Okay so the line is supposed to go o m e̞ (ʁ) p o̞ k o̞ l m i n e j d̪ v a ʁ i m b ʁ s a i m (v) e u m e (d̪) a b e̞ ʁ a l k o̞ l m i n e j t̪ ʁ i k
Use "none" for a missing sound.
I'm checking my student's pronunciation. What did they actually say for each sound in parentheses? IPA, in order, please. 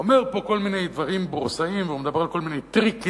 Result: ʁ, v, d̪

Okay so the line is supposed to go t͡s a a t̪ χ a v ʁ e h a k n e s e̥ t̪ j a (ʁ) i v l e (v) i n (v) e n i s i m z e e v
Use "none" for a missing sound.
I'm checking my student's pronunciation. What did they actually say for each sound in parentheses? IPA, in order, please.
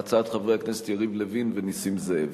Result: ʁ, v, v

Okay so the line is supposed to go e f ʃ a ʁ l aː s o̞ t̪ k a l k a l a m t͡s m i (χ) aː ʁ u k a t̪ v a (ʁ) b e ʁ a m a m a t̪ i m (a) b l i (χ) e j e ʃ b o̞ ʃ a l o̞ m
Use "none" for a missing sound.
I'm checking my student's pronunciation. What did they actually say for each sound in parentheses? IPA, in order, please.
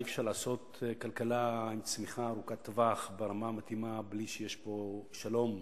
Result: χ, χ, a, ʃ

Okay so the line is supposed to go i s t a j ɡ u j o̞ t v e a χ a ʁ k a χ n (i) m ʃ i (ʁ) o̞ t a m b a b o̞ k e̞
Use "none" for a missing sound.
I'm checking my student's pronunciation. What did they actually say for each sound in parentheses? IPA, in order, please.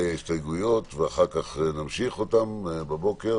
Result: a, χ

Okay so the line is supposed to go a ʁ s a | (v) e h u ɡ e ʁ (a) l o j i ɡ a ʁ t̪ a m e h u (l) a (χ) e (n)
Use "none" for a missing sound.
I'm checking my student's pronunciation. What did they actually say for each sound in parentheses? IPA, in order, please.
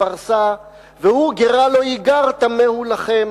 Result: v, a, l, χ, m

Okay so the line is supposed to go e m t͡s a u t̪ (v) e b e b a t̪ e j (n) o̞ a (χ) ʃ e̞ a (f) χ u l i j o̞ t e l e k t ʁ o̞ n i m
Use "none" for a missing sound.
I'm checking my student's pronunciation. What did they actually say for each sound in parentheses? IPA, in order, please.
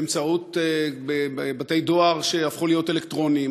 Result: b, d, ʁ, f

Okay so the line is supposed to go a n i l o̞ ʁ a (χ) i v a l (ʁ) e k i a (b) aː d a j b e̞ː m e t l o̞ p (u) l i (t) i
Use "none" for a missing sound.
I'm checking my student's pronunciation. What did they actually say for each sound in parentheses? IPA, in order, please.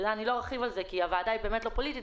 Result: χ, z, v, o, t

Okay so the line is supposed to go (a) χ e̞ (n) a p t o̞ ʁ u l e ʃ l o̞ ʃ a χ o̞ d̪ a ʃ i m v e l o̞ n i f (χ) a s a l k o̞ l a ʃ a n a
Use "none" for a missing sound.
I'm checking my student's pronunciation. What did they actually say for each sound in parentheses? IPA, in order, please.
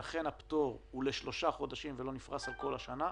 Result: a, n, ʁ

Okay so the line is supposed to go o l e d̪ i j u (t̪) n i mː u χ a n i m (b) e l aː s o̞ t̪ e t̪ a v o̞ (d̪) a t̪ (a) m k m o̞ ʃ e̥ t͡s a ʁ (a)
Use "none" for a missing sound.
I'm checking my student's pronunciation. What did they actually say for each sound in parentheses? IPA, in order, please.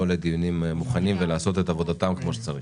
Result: none, v, d̪, a, i

